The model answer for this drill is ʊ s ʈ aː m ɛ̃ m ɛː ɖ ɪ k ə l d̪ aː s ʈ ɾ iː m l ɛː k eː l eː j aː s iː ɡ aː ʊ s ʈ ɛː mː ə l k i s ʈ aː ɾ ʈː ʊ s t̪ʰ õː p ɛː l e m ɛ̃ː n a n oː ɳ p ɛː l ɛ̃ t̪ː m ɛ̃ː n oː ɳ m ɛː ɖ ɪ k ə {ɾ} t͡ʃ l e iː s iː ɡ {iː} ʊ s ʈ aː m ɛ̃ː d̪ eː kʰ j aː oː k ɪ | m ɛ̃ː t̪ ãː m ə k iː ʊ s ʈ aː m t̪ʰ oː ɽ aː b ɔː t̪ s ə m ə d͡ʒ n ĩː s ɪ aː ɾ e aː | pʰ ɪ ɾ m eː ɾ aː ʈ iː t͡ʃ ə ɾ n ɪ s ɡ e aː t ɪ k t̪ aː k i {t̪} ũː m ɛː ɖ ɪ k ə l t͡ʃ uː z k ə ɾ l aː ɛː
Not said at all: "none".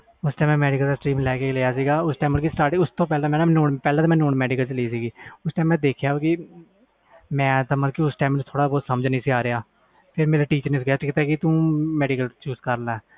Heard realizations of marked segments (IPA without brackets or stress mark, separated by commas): l, iː, t̪